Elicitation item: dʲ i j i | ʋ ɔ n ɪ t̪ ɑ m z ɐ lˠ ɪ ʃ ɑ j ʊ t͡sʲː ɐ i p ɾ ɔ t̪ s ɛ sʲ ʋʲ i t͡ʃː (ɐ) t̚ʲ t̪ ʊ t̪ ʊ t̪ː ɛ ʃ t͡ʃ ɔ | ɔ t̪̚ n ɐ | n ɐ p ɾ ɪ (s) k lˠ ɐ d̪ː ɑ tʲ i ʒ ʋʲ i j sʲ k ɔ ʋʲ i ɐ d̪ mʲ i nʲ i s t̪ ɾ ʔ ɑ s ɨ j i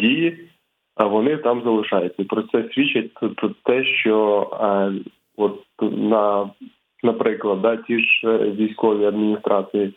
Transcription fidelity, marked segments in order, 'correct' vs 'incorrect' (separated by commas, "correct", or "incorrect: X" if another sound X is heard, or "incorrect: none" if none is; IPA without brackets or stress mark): correct, incorrect: none